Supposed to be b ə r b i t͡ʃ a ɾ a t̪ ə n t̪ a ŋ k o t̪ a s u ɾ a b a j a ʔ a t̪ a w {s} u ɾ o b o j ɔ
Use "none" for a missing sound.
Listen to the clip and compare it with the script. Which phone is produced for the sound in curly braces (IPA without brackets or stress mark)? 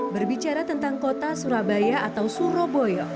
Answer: s